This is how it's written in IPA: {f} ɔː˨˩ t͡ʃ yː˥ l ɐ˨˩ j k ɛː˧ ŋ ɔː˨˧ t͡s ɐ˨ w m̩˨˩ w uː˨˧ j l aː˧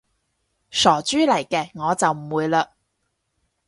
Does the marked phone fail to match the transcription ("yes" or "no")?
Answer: yes